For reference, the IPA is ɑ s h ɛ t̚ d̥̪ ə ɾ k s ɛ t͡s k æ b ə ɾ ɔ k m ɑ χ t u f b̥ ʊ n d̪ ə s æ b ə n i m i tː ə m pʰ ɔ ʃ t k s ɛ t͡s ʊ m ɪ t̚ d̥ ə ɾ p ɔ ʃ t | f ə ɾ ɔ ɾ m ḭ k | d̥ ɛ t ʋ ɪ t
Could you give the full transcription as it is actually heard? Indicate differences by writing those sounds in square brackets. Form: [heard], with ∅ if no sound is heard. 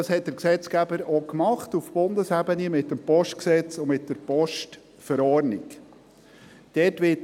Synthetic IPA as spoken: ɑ s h ɛ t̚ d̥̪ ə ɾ k s ɛ t͡s k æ b ə ɾ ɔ k m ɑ χ t u f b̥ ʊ n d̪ ə s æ b ə n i m [ɪ] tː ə m [p] ɔ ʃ t k s ɛ t͡s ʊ m ɪ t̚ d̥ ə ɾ p ɔ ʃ t | f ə ɾ ɔ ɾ [n] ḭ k | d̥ ɛ t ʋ ɪ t